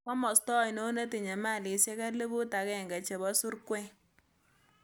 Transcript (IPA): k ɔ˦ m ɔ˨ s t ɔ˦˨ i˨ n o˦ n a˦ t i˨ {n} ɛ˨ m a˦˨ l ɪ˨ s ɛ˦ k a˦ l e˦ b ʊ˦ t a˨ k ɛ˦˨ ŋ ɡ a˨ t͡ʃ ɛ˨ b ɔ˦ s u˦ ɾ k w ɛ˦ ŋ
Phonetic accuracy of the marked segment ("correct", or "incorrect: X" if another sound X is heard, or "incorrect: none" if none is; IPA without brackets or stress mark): incorrect: ɲ